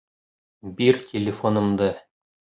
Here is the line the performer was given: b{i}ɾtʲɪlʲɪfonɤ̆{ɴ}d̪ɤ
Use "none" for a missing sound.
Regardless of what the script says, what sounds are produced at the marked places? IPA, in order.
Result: i, m

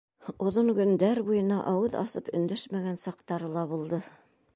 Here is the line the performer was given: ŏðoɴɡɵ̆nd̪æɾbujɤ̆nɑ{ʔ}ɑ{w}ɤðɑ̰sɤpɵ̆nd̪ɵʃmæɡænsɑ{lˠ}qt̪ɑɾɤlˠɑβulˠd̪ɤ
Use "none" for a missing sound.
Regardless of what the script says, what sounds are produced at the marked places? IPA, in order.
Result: ʔ, w, none

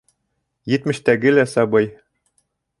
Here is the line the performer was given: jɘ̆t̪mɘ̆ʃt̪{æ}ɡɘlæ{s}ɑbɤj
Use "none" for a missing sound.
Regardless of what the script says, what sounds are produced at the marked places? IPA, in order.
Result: æ, s

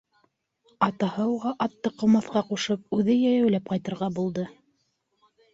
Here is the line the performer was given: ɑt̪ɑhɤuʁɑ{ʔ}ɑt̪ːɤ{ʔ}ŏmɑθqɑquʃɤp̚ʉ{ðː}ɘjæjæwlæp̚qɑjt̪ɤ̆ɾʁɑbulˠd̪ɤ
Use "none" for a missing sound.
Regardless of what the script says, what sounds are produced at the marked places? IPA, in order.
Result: ʔ, q, ð

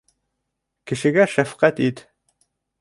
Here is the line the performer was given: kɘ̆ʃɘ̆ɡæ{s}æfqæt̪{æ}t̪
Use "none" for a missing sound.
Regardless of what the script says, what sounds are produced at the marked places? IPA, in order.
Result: ʃ, i

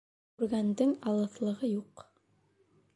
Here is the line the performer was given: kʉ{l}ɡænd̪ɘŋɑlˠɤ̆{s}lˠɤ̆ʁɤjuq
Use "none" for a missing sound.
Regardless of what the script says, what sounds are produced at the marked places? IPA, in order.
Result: ɾ, θ

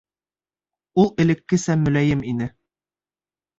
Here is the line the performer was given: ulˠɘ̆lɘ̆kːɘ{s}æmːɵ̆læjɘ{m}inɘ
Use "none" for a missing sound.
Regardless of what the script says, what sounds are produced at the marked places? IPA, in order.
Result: s, m

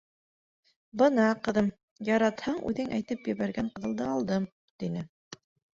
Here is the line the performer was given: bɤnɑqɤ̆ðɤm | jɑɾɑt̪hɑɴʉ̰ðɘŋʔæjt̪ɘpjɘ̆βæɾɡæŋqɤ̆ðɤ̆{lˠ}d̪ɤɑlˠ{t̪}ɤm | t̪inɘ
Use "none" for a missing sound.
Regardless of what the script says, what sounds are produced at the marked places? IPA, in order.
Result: lˠ, d̪

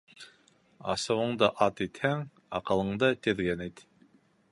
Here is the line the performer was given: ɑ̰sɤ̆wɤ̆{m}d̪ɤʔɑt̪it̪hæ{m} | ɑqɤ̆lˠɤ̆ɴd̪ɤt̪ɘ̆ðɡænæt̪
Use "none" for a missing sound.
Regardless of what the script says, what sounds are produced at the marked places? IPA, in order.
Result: ɴ, ŋ

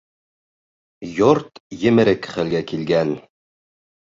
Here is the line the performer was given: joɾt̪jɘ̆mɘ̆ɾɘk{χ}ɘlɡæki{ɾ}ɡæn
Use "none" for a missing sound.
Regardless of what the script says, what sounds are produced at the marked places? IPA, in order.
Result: χ, l

